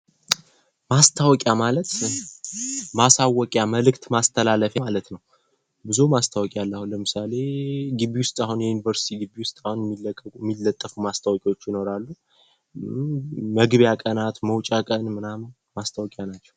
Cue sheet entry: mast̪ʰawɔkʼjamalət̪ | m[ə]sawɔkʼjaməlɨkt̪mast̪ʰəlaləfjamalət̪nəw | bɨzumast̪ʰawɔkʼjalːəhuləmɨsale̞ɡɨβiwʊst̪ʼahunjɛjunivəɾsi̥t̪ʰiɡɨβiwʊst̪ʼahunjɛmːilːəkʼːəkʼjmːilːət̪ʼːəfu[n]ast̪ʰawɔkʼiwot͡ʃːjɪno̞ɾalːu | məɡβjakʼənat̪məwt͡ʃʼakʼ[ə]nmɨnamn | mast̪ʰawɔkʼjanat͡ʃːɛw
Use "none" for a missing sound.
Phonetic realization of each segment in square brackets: a, m, ə

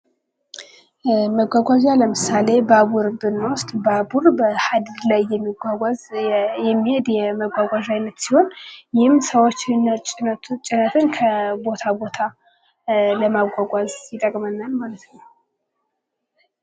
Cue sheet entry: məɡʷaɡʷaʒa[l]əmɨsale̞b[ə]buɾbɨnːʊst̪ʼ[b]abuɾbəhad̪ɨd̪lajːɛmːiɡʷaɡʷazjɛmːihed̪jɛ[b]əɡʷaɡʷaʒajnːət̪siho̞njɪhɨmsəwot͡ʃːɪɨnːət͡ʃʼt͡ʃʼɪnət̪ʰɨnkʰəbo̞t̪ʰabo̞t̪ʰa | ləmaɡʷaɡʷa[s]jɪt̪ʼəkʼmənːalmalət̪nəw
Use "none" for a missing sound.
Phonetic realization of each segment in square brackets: l, a, b, m, z

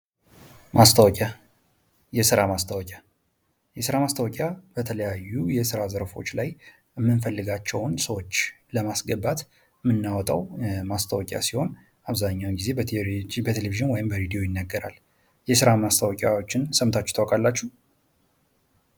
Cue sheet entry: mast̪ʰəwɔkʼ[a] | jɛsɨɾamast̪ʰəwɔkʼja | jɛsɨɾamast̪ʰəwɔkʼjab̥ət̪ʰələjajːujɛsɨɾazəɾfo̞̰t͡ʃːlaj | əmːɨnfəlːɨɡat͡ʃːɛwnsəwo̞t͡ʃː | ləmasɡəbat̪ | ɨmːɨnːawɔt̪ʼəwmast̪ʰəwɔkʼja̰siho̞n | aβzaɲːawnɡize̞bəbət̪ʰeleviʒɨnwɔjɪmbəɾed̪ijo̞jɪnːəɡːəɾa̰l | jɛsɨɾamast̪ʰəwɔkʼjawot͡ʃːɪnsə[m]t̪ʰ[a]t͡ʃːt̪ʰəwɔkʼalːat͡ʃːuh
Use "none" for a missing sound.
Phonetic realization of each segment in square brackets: a, m, a

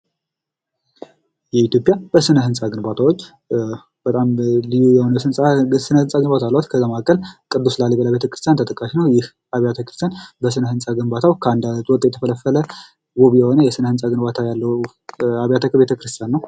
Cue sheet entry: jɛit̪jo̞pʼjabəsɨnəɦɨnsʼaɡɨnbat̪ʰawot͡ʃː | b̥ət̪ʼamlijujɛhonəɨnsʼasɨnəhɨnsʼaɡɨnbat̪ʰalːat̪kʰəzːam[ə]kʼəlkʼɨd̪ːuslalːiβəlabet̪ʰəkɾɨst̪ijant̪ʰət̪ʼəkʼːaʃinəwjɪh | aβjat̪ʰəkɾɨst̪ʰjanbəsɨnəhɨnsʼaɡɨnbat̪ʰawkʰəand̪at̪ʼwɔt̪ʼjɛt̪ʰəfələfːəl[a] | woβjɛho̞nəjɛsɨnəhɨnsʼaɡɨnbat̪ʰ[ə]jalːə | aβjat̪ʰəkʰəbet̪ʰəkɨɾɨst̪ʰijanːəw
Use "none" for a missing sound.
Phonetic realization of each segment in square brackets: a, ə, a

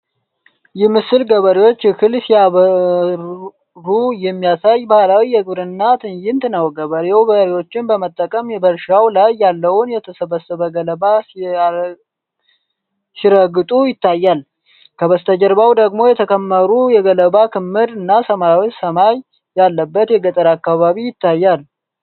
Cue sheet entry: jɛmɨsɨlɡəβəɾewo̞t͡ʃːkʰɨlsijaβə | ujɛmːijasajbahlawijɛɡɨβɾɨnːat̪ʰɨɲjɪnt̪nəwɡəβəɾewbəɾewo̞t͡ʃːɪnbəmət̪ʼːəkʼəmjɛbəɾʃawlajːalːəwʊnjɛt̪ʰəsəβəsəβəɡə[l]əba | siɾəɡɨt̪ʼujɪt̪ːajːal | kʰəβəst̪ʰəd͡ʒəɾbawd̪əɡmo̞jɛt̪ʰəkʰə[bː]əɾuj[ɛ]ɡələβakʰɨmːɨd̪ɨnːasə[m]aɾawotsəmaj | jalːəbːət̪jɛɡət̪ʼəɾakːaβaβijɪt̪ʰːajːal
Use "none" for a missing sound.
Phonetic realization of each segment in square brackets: l, mː, ɛ, m

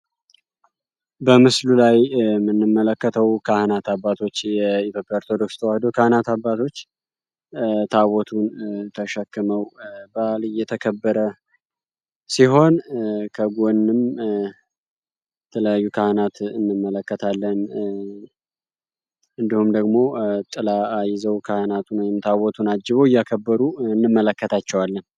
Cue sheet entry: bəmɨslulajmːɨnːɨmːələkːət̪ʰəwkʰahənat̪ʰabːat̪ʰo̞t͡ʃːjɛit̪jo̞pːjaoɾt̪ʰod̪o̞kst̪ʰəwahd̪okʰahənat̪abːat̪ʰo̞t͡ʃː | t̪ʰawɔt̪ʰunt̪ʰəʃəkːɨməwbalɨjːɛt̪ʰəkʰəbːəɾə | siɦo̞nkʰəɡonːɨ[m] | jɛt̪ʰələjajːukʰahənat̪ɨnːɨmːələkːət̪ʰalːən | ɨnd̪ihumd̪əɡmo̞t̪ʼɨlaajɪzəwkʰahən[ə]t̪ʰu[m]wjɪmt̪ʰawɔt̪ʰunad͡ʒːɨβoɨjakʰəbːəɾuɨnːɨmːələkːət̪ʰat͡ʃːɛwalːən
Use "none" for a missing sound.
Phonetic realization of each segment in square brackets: m, a, n

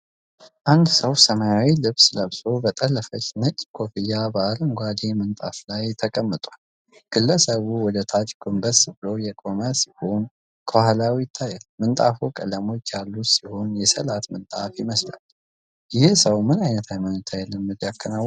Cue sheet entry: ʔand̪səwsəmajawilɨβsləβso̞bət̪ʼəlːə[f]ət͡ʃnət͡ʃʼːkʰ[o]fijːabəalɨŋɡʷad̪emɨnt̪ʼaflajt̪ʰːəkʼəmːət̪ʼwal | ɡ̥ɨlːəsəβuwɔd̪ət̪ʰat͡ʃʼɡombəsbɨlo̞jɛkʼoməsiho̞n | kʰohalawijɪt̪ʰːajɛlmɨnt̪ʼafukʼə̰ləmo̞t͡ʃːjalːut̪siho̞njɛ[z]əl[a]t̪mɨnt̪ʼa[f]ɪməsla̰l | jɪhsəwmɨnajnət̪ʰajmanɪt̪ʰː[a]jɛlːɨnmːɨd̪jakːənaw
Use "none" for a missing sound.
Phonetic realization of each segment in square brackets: f, o, s, a, f, a

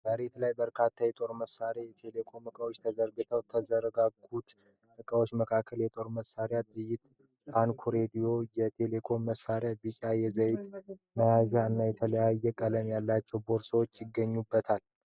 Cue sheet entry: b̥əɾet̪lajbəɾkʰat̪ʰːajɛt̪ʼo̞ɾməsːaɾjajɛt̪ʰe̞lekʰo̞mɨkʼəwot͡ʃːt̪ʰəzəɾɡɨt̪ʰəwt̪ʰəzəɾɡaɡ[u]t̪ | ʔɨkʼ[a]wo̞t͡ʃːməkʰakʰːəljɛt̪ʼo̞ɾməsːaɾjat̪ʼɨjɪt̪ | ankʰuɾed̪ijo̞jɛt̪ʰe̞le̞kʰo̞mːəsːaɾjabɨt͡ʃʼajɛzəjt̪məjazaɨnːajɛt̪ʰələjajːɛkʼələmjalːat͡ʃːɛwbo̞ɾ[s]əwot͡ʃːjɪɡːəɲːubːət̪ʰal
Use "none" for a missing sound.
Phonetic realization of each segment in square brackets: u, ə, s

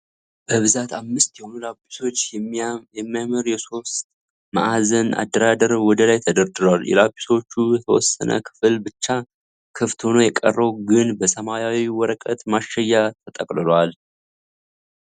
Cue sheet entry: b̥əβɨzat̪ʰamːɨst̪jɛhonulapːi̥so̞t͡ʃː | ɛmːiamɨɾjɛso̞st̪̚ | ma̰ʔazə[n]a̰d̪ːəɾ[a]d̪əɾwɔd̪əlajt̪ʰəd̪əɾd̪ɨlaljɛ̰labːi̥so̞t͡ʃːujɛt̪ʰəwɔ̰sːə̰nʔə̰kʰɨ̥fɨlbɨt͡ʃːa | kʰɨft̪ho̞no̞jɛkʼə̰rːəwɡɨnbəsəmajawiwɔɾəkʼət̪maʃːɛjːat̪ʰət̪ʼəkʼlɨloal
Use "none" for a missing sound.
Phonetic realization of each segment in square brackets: n, a

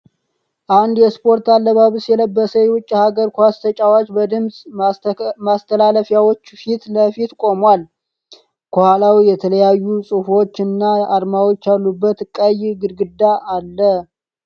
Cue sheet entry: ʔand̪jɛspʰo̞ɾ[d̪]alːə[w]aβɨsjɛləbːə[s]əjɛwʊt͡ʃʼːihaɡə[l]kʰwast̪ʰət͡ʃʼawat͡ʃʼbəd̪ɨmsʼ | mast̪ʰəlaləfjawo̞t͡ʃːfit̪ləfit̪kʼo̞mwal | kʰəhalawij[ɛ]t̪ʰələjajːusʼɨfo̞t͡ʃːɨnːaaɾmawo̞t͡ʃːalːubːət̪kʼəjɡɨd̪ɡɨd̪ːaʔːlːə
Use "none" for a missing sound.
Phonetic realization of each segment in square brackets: t̪, β, s, ɾ, ɛ

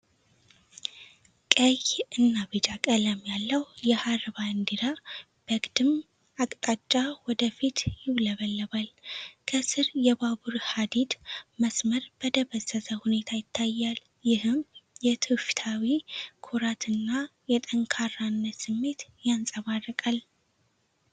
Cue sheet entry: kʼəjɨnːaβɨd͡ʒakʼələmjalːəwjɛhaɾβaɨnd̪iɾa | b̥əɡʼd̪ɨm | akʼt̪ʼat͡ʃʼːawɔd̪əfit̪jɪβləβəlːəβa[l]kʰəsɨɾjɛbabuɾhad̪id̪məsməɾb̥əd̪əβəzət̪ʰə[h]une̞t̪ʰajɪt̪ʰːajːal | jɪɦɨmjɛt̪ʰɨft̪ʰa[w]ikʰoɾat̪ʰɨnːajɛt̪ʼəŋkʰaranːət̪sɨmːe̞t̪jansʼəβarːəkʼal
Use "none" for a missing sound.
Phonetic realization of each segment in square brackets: l, h, w

